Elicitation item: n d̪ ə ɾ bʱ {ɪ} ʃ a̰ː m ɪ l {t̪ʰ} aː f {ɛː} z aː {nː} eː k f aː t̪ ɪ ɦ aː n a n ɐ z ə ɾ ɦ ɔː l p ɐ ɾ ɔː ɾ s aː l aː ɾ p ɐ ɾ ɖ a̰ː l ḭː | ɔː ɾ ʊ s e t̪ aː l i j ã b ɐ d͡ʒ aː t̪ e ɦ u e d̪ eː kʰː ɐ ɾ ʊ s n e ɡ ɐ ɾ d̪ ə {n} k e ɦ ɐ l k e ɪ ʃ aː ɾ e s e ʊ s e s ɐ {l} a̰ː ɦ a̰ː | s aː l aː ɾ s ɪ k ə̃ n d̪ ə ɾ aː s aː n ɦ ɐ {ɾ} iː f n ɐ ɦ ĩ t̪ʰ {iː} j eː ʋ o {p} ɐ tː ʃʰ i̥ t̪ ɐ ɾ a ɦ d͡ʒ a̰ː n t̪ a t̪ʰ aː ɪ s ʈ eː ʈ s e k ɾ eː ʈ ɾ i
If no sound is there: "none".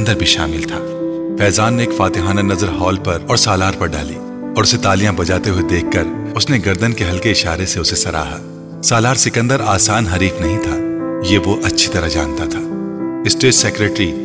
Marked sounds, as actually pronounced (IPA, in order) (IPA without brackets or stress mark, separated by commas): i, t̪ʰ, ɛː, nː, n, ɾ, ɾ, aː, ʔ